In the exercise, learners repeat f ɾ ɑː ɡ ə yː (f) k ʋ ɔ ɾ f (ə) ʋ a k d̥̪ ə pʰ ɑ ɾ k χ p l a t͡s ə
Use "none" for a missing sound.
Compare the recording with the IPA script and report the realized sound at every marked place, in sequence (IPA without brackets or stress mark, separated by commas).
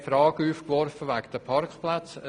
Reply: f, ə